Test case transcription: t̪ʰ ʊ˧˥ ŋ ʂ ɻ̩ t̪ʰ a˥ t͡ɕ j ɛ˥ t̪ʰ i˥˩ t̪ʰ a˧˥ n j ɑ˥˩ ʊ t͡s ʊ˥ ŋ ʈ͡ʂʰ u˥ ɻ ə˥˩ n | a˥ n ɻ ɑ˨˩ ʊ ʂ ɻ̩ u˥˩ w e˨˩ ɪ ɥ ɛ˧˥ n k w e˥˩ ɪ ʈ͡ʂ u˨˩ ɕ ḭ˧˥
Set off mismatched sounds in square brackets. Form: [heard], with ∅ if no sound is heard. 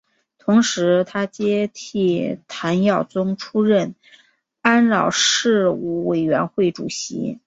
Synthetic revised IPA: t̪ʰ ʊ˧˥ ŋ ʂ ɻ̩ t̪ʰ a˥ t͡ɕ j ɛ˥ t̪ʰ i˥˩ t̪ʰ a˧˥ n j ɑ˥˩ ʊ t͡s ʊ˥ ŋ ʈ͡ʂʰ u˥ ɻ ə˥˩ n | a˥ n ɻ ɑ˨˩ ʊ ʂ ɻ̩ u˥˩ w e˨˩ ɪ ɥ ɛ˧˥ n [x] w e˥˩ ɪ ʈ͡ʂ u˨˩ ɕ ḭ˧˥